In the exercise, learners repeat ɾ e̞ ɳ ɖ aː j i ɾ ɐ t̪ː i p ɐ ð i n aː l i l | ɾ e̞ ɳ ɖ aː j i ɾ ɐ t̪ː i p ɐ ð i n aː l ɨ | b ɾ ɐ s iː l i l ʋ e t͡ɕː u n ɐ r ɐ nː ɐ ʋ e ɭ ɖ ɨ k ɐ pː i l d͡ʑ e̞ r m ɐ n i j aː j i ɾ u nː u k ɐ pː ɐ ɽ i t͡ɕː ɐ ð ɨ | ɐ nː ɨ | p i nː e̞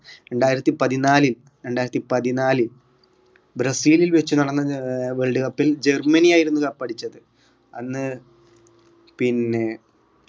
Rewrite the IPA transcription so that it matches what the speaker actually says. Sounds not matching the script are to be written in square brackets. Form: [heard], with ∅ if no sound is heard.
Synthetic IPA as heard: ɾ e̞ ɳ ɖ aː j i ɾ ɐ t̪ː i p ɐ ð i n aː l i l | ɾ e̞ ɳ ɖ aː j i ɾ ɐ t̪ː i p ɐ ð i n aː l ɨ | b ɾ ɐ s iː l i l ʋ e t͡ɕː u n ɐ [ɽ] ɐ nː ɐ ʋ e ɭ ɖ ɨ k ɐ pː i l d͡ʑ e̞ r m ɐ n i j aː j i ɾ u nː u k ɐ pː ɐ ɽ i t͡ɕː ɐ ð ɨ | ɐ nː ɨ | p i nː e̞

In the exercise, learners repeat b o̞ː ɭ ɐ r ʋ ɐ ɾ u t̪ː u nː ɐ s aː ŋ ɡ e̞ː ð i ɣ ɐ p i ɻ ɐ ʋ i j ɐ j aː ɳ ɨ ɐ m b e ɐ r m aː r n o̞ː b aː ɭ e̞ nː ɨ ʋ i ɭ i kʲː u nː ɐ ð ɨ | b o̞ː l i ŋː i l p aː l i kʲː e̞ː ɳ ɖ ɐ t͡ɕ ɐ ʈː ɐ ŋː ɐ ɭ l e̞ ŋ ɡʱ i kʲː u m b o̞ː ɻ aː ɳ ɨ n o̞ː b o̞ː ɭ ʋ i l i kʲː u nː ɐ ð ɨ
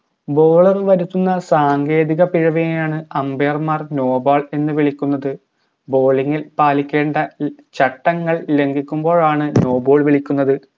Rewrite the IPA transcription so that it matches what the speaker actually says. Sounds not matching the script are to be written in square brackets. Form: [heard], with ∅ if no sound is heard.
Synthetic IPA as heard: b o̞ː ɭ ɐ r ʋ ɐ ɾ u t̪ː u nː ɐ s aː ŋ ɡ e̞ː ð i ɣ ɐ p i ɻ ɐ ʋ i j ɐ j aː ɳ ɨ ɐ m b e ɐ r m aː r n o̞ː b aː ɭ e̞ nː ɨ ʋ i ɭ i kʲː u nː ɐ ð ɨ | b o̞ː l i ŋː i l p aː l i kʲː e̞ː ɳ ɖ ɐ t͡ɕ ɐ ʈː ɐ ŋː ɐ ɭ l e̞ ŋ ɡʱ i kʲː u m b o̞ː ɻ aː ɳ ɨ n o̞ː b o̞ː ɭ ʋ i [ɭ] i kʲː u nː ɐ ð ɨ

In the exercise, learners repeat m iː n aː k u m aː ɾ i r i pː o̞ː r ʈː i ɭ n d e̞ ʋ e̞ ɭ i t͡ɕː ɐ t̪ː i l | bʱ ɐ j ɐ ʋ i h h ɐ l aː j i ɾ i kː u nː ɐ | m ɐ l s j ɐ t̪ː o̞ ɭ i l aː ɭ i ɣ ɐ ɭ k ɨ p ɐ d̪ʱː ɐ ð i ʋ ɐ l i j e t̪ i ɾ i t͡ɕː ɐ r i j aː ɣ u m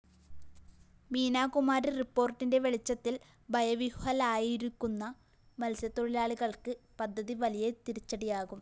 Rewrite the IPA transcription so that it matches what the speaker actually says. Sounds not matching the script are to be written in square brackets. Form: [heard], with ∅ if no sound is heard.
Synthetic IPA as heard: m iː n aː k u m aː ɾ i r i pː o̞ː r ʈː i [∅] n d e̞ ʋ e̞ ɭ i t͡ɕː ɐ t̪ː i l | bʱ ɐ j ɐ ʋ i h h ɐ l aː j i ɾ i kː u nː ɐ | m ɐ l s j ɐ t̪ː o̞ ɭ i l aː ɭ i ɣ ɐ ɭ k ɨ p ɐ d̪ʱː ɐ ð i ʋ ɐ l i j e t̪ i ɾ i t͡ɕː ɐ [ɽ] i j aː ɣ u m

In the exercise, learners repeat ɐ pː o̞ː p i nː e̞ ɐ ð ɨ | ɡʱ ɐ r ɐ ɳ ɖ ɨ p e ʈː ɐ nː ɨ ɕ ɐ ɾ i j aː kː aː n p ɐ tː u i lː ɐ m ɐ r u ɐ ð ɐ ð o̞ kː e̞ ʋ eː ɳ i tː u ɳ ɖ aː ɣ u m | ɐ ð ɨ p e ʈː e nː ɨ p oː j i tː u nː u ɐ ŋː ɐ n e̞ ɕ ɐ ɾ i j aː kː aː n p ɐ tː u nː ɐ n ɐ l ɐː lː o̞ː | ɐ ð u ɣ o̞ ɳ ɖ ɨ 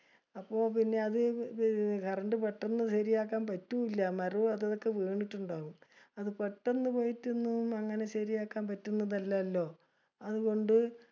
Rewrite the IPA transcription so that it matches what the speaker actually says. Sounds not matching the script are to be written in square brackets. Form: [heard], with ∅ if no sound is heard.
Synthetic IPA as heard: ɐ pː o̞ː p i nː e̞ ɐ ð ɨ | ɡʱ ɐ r ɐ ɳ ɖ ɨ p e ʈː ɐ nː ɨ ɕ ɐ ɾ i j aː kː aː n p ɐ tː u i lː ɐ m ɐ r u ɐ ð ɐ ð o̞ kː e̞ ʋ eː ɳ i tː u ɳ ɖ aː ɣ u m | ɐ ð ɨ p e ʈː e nː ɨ p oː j i tː u nː u ɐ ŋː ɐ n e̞ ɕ ɐ ɾ i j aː kː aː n p ɐ tː u nː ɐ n ɐ [lː] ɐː lː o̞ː | ɐ ð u ɣ o̞ ɳ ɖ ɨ

